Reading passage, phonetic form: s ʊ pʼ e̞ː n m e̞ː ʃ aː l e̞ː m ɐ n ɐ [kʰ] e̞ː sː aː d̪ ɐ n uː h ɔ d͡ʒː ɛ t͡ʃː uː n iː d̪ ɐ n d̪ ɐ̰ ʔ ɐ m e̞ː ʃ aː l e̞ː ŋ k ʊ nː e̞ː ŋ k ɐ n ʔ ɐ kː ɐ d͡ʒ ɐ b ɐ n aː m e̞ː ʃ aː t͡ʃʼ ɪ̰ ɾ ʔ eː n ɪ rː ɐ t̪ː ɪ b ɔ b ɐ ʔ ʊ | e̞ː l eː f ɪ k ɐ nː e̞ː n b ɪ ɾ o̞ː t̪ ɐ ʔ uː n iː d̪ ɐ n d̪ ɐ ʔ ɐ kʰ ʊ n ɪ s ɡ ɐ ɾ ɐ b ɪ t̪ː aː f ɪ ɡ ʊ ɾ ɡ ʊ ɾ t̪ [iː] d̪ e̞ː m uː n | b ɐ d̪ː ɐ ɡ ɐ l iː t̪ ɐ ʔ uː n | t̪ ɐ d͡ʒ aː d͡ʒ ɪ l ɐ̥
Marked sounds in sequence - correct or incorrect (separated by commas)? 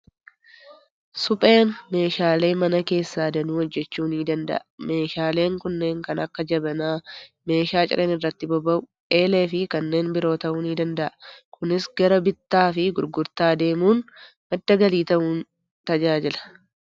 incorrect, incorrect